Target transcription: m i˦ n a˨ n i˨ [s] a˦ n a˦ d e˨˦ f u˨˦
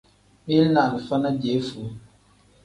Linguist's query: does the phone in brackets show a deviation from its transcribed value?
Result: yes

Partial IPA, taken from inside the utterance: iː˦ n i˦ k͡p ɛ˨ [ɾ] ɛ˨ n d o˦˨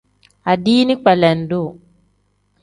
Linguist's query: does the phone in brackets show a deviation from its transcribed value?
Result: yes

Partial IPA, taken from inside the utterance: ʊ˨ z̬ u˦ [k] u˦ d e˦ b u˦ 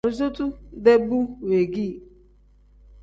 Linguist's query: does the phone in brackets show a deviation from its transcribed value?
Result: yes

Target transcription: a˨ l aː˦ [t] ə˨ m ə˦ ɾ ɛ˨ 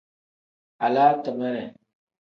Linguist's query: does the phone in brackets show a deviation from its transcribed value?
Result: no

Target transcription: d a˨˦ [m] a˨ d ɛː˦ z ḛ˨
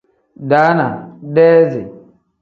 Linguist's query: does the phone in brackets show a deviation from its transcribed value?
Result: yes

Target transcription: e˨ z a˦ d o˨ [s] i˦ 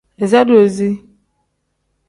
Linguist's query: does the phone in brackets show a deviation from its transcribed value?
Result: yes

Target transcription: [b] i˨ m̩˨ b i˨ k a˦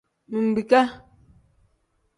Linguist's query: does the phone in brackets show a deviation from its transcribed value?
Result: yes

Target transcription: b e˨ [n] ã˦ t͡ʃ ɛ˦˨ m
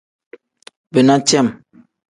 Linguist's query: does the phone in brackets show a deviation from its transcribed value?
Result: no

